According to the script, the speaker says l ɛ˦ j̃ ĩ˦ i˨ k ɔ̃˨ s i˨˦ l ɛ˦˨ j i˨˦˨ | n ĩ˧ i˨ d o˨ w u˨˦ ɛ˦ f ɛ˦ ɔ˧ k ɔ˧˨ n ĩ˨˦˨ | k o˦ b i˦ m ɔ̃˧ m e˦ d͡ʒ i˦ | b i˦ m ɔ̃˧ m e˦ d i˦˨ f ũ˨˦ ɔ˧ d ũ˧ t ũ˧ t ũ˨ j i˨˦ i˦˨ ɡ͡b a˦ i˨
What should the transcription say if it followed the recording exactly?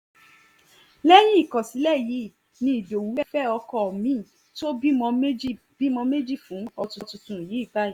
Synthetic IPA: l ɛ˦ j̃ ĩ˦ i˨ k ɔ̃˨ s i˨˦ l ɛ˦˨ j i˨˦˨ | n ĩ˧ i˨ d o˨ w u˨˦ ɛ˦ f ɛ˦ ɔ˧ k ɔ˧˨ m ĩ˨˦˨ | t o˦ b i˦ m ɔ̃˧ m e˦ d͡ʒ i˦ | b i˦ m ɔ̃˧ m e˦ d͡ʒ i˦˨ f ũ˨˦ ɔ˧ t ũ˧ t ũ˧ t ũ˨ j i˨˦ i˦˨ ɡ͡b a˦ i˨

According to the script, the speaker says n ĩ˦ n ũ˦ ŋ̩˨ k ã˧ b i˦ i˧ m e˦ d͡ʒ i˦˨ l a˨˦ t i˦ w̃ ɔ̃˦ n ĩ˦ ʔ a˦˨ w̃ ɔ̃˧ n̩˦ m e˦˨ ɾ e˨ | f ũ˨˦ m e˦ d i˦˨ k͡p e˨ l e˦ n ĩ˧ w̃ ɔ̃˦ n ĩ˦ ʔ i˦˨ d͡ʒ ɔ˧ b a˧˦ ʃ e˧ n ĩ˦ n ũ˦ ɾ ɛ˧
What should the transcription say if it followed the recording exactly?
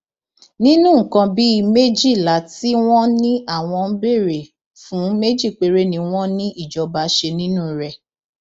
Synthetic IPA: n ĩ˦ n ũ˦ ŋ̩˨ k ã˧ b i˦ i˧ m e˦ d͡ʒ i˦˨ l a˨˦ t i˦ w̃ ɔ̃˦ n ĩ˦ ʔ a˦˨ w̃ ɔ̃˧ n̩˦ b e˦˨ ɾ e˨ | f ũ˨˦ m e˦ d͡ʒ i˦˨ k͡p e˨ ɾ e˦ n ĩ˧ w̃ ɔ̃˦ n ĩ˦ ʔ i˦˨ d͡ʒ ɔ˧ b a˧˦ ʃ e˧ n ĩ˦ n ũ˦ ɾ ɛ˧

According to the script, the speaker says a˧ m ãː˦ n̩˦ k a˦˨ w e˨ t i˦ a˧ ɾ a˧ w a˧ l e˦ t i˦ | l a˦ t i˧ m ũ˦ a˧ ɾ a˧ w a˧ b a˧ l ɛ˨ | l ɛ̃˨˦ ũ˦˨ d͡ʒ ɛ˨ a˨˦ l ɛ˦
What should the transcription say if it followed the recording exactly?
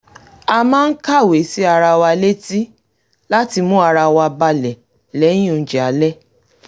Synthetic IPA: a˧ m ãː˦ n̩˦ k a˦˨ w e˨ s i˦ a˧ ɾ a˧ w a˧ l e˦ t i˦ | l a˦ t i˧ m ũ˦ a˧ ɾ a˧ w a˧ b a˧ l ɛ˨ | l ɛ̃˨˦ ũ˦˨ d͡ʒ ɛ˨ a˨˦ l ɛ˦

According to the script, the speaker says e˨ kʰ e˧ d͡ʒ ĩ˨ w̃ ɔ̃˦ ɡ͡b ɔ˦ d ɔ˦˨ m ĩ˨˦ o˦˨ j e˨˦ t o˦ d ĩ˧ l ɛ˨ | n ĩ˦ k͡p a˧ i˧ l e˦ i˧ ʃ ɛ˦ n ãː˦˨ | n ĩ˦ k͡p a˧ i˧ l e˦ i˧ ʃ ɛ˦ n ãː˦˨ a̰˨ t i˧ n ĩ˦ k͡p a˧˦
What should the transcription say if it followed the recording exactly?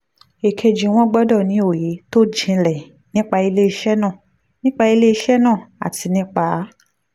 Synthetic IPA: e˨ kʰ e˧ d͡ʒ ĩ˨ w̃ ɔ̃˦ ɡ͡b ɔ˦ d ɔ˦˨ n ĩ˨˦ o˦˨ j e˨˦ t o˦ d͡ʒ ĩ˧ l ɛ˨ | n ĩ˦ k͡p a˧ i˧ l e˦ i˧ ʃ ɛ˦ n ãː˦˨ | n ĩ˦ k͡p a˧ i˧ l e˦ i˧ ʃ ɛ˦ n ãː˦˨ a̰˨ t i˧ n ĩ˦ k͡p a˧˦

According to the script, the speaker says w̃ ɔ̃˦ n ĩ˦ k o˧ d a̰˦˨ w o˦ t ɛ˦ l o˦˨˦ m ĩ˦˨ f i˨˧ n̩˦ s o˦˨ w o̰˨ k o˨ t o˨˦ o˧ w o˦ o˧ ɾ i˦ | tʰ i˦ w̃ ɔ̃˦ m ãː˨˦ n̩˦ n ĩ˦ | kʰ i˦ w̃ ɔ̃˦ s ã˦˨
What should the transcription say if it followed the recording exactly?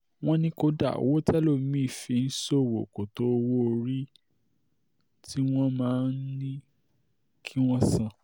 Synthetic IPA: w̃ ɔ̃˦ n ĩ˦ k o˧ d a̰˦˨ w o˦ t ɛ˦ l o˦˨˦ m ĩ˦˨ f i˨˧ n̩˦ s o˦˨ w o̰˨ k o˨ t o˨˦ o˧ w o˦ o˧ ɾ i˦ | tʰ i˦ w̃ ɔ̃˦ m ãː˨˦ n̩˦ n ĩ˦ | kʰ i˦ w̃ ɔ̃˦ s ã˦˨

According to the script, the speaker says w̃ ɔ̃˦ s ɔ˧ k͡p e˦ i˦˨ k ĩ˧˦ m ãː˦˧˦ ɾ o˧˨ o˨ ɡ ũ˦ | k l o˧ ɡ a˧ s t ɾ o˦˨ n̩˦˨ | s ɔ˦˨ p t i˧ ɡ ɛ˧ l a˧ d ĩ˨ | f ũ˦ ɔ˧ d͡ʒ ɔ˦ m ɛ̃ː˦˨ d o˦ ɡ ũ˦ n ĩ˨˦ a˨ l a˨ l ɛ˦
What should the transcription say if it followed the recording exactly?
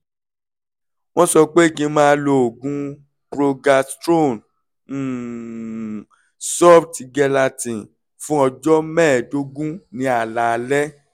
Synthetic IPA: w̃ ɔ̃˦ s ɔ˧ k͡p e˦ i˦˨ k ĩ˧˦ m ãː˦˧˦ l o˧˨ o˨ ɡ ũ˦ | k ɾ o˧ ɡ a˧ s t ɾ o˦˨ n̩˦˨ | s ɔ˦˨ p t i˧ ɡ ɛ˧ l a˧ t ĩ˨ | f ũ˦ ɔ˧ d͡ʒ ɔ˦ m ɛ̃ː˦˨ d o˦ ɡ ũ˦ n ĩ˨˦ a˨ l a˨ l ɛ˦

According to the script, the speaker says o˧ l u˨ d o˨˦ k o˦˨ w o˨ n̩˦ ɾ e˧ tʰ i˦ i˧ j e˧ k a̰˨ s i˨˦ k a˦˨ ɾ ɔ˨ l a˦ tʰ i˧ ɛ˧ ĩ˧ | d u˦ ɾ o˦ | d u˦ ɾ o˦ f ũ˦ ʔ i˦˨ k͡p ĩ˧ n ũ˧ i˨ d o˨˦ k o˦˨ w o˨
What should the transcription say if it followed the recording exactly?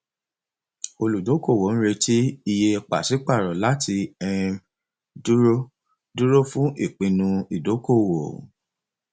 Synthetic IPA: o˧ l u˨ d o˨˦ k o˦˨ w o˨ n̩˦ ɾ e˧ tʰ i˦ i˧ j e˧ k͡p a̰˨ s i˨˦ k͡p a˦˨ ɾ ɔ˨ l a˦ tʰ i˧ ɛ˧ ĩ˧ | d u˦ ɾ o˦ | d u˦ ɾ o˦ f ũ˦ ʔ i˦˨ k͡p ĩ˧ n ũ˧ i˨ d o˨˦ k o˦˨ w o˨

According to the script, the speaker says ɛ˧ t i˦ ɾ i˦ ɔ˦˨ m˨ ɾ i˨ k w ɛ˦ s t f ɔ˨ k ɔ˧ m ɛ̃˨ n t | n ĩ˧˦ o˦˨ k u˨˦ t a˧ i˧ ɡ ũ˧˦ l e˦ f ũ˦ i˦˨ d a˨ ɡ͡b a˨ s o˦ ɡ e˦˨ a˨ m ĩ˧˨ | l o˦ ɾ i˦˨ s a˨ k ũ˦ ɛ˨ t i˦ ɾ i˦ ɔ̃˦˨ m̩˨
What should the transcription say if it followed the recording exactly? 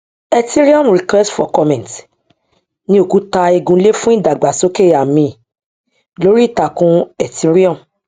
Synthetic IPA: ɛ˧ t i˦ ɾ i˦ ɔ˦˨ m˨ ɾ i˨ k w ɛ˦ s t f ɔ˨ k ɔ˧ m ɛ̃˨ n t | n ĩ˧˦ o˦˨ k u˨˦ t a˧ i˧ ɡ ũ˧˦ l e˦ f ũ˦ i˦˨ d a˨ ɡ͡b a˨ s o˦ k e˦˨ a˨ m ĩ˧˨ | l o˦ ɾ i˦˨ t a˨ k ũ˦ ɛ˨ t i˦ ɾ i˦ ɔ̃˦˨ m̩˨

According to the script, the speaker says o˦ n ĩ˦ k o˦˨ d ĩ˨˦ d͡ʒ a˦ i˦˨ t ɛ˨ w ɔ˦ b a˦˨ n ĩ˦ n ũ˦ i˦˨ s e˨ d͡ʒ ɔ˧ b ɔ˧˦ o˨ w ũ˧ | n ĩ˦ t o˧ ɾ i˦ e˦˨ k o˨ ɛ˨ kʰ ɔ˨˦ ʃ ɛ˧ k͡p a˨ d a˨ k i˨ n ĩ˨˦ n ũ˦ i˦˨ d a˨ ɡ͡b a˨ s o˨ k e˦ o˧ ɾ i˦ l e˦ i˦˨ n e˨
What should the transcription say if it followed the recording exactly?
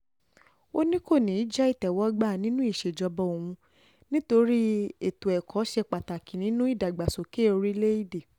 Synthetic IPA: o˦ n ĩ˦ k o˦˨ n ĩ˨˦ d͡ʒ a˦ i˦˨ t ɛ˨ w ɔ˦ ɡ͡b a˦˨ n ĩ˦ n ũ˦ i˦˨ ʃ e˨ d͡ʒ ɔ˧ b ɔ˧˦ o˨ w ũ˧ | n ĩ˦ t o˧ ɾ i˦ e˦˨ t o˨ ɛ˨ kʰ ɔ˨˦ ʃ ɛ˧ k͡p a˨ t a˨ k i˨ n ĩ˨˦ n ũ˦ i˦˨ d a˨ ɡ͡b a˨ s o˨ k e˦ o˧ ɾ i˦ l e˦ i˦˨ d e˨

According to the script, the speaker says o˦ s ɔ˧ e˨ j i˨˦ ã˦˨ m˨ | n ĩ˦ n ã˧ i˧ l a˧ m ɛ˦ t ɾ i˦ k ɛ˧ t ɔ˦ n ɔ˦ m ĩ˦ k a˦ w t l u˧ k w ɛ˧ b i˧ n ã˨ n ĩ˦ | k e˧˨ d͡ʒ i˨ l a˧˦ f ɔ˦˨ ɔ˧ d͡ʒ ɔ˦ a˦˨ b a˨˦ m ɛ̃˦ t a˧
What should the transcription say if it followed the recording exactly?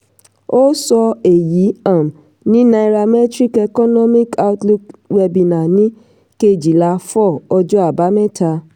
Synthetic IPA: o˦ s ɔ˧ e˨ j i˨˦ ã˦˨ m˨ | n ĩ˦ n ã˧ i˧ ɾ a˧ m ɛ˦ t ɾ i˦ k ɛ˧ k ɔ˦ n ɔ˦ m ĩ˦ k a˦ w t l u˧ k w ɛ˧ b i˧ n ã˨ n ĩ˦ | k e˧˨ d͡ʒ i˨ l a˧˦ f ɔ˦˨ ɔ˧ d͡ʒ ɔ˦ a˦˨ b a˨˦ m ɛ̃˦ t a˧

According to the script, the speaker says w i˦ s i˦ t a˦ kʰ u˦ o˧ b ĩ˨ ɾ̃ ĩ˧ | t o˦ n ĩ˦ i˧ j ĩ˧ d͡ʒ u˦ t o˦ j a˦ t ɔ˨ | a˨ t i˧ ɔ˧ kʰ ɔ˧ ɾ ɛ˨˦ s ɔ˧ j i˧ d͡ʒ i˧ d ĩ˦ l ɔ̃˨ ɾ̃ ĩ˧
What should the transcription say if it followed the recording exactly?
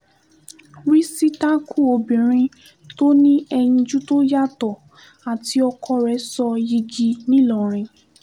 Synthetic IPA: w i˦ s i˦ t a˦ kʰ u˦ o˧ b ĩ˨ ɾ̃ ĩ˧ | t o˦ n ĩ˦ ɛ˧ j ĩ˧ d͡ʒ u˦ t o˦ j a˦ t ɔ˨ | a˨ t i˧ ɔ˧ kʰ ɔ˧ ɾ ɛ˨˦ s ɔ˧ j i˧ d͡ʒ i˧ n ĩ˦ l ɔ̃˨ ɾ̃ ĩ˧

